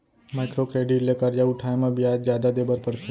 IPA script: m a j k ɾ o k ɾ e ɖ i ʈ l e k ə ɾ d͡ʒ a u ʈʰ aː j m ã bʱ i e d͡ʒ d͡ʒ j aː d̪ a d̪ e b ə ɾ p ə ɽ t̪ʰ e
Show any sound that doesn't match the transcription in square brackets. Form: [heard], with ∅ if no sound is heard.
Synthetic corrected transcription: m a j k ɾ o k ɾ e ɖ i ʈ l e k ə ɾ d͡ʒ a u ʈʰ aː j m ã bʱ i [a] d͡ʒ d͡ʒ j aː d̪ a d̪ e b ə ɾ p ə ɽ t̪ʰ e